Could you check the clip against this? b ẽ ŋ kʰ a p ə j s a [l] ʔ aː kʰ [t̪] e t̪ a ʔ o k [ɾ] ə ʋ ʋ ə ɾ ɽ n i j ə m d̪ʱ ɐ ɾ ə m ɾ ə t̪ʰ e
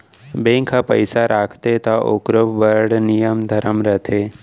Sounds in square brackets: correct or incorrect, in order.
incorrect: ɾ, correct, correct

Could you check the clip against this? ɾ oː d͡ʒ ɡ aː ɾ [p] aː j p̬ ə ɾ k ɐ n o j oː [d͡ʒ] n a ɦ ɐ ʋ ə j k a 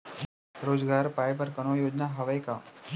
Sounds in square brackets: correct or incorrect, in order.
correct, correct

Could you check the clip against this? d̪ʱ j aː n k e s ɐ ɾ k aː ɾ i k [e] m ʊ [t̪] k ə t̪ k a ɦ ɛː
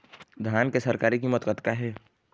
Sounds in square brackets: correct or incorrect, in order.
incorrect: i, correct

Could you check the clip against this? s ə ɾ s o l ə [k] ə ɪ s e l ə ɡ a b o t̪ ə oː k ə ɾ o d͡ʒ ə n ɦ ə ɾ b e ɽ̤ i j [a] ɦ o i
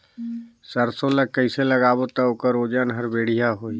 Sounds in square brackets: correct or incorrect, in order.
correct, correct

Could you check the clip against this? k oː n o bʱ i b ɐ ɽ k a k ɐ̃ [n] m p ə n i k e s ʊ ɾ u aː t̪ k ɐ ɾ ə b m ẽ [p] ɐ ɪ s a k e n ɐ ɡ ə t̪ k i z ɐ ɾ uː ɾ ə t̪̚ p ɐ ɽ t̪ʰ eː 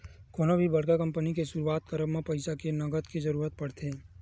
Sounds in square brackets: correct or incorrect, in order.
incorrect: none, correct

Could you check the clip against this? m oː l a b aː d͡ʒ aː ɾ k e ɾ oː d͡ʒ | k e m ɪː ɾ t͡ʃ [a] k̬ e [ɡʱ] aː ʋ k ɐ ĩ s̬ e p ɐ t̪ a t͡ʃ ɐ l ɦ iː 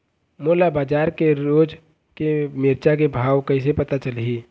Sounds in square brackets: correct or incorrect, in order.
correct, incorrect: bʱ

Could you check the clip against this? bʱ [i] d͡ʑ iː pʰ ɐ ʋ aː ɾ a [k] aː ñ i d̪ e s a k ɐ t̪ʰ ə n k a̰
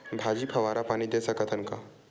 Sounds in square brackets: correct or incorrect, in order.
incorrect: a, incorrect: p

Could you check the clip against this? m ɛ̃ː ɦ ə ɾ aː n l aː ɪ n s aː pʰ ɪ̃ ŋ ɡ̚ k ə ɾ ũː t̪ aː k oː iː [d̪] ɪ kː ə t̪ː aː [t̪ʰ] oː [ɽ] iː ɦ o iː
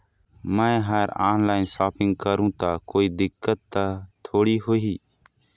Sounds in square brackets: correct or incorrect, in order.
correct, correct, correct

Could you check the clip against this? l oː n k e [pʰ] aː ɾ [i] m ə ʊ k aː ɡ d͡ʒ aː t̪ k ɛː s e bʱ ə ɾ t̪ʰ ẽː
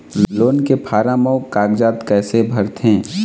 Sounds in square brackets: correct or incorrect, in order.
correct, incorrect: a

